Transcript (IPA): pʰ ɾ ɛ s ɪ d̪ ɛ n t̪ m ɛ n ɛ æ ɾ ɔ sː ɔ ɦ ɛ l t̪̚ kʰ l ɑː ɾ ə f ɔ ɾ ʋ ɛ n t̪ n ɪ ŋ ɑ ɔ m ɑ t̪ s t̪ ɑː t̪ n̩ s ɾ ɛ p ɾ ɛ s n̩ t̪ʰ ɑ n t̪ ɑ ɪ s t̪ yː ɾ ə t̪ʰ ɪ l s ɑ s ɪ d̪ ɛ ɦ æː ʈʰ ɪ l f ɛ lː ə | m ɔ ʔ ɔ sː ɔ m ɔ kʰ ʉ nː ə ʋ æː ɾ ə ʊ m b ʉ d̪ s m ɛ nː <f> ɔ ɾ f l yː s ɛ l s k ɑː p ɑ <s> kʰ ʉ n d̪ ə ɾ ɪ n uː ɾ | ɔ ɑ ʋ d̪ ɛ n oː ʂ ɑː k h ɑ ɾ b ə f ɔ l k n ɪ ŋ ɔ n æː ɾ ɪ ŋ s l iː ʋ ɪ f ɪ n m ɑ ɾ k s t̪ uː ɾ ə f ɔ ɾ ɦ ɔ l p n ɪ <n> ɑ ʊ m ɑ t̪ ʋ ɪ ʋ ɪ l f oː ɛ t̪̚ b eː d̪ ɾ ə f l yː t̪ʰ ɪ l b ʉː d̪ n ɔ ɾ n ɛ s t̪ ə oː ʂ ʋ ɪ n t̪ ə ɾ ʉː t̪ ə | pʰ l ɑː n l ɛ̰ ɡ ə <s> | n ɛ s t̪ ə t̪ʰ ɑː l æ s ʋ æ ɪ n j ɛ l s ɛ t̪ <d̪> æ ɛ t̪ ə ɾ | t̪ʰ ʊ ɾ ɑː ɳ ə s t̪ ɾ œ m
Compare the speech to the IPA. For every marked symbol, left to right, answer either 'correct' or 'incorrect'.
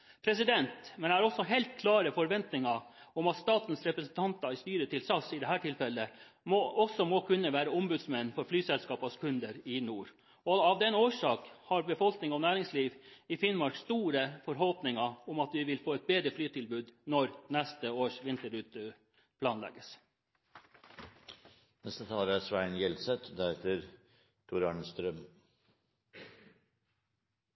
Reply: correct, correct, incorrect: ŋ, correct, correct

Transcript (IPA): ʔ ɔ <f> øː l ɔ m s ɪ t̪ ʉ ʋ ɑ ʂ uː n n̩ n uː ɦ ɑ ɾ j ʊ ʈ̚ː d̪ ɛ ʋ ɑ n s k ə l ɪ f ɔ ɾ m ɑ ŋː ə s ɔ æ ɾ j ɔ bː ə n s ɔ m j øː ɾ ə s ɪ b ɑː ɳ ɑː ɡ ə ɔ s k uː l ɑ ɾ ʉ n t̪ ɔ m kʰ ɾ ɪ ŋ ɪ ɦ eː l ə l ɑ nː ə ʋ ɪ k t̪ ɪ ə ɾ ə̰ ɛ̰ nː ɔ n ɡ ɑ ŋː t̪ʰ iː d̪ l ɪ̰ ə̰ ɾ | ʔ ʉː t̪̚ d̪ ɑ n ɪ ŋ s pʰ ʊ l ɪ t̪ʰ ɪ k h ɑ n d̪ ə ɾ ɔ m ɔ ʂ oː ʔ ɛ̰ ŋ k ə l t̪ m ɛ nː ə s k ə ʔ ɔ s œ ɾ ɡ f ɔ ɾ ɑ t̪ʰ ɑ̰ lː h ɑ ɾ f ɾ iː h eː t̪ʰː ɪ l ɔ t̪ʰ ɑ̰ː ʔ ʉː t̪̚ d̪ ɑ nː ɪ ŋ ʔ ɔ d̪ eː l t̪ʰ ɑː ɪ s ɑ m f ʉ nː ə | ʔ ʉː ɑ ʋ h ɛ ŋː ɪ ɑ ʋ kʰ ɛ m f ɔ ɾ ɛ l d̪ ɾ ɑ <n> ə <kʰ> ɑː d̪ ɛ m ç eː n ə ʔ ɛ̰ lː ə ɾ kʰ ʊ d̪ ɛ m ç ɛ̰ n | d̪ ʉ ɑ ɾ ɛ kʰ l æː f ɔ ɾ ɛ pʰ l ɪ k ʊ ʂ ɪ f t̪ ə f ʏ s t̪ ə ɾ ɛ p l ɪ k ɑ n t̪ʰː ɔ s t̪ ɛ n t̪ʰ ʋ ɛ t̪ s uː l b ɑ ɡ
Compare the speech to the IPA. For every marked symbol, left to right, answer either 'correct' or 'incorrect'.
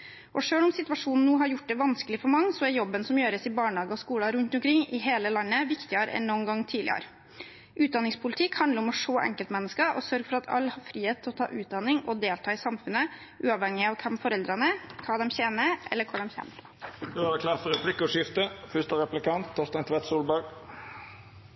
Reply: incorrect: ʂ, correct, correct

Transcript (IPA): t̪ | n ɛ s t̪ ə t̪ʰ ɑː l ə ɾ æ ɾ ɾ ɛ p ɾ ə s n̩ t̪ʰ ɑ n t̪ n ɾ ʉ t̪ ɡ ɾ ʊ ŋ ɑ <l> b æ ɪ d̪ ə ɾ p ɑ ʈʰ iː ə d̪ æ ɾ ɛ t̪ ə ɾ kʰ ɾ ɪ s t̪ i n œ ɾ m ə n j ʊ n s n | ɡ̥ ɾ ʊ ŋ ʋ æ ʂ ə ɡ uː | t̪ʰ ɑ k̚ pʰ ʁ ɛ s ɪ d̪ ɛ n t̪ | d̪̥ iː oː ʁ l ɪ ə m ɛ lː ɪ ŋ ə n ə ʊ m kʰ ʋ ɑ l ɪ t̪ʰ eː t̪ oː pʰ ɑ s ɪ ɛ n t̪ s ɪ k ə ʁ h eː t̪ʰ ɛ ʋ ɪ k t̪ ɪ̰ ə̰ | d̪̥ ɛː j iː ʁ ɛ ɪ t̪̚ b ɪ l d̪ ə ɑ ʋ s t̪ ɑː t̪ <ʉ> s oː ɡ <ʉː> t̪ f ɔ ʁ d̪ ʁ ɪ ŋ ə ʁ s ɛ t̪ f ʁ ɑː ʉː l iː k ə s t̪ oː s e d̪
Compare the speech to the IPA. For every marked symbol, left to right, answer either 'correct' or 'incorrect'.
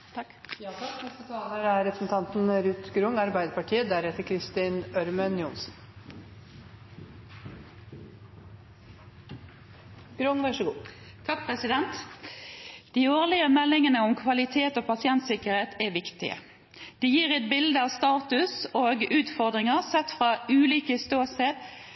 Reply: incorrect: ɾ, correct, correct

